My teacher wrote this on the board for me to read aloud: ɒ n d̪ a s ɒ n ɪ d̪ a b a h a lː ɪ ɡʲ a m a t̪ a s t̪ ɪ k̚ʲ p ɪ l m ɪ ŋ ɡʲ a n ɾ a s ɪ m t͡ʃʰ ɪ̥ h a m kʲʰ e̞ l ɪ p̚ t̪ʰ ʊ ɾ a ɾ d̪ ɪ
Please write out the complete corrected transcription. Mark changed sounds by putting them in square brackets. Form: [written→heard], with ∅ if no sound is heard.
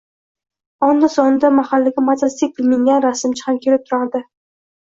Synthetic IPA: ɒ n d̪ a s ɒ n ɪ d̪ a [b→m] a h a lː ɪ ɡʲ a m a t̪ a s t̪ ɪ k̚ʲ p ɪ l m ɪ ŋ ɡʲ a n ɾ a s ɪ m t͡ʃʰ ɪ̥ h a m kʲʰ e̞ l ɪ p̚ t̪ʰ ʊ ɾ a ɾ d̪ ɪ